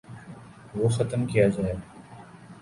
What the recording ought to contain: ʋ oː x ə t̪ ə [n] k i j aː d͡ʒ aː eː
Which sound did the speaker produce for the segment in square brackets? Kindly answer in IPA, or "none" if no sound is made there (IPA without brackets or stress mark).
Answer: m